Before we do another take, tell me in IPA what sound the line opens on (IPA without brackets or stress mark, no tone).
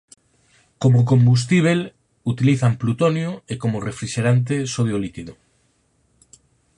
k